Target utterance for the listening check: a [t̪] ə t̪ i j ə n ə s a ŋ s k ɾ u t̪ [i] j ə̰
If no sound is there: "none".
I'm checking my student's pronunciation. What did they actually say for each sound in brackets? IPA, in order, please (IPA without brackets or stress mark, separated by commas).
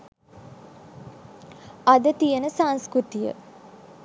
d̪, i